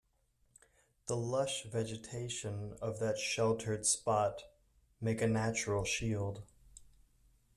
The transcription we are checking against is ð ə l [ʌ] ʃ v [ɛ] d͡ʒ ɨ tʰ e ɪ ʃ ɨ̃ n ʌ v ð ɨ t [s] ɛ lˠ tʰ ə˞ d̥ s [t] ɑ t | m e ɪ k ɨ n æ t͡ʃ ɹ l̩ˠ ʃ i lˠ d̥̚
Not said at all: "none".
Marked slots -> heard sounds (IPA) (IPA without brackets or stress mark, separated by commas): ʌ, ɛ, ʃ, p